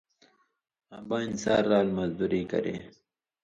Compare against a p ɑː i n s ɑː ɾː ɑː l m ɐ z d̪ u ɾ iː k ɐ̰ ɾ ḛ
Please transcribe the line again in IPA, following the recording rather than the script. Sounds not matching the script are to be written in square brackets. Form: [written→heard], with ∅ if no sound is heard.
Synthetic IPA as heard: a [p→b] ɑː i n s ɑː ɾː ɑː l m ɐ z d̪ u ɾ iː k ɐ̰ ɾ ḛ